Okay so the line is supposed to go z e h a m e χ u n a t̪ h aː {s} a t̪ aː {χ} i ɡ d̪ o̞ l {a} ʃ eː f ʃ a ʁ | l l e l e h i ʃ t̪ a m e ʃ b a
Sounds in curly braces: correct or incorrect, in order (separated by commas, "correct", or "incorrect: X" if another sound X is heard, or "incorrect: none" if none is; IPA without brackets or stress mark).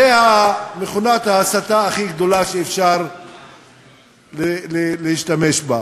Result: correct, correct, correct